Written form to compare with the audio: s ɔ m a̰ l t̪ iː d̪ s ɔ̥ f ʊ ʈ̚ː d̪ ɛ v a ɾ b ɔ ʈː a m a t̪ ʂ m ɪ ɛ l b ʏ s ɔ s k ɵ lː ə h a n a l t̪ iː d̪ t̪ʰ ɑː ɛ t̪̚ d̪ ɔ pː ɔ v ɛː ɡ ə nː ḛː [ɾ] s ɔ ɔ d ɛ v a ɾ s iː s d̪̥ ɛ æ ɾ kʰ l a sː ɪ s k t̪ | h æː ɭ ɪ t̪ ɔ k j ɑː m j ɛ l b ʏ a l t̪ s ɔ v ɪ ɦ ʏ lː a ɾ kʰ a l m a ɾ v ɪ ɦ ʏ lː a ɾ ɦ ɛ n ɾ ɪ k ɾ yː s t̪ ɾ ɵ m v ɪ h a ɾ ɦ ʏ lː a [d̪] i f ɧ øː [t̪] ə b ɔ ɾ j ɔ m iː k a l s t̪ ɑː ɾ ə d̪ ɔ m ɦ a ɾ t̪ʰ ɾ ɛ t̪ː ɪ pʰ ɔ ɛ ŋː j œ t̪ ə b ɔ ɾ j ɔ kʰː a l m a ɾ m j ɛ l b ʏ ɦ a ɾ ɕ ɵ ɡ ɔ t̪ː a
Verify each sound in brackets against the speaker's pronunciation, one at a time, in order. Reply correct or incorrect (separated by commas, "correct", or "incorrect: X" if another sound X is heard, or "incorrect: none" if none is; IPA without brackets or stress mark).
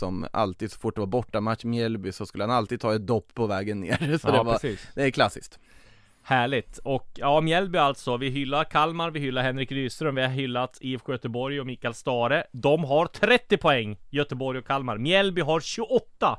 correct, incorrect: t̪, correct